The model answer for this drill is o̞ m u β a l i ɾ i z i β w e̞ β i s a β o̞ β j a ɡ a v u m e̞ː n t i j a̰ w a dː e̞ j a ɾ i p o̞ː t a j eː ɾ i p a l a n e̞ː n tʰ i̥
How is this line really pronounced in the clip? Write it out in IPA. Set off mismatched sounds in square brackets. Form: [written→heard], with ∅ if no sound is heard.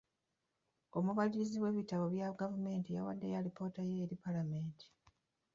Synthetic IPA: o̞ m u β a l i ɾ i z i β w e̞ β i [s→t] a β o̞ β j a ɡ a v u m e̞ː n t i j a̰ w a dː e̞ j a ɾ i p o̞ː t a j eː ɾ i p a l a [n→m] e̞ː n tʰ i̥